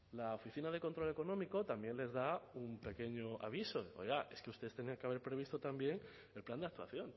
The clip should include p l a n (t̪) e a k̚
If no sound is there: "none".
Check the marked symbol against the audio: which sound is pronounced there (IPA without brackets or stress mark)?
d̪